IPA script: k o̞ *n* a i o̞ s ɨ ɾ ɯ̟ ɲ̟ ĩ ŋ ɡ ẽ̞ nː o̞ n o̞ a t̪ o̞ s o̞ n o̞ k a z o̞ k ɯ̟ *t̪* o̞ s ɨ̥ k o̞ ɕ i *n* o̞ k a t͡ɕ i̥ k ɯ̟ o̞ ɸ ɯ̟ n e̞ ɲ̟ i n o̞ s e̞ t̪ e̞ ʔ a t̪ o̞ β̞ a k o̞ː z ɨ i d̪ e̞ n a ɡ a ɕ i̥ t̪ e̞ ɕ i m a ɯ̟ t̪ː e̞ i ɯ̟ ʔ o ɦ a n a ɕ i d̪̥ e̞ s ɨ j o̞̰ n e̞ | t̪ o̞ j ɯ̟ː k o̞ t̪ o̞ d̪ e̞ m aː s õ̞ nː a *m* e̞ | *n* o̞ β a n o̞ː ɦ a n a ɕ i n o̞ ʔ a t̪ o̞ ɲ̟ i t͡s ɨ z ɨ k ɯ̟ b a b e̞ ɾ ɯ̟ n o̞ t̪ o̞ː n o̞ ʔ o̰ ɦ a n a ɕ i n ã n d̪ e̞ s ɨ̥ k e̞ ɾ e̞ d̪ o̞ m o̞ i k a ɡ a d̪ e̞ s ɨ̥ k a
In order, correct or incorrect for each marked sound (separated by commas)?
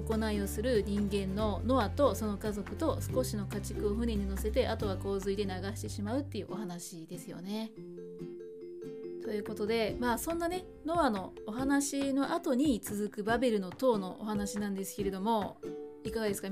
correct, correct, correct, incorrect, correct